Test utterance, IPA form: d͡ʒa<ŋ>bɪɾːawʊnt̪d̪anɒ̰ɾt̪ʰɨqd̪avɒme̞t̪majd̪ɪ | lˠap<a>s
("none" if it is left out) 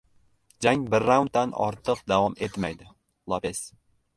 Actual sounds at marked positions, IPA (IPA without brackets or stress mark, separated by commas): ŋ, e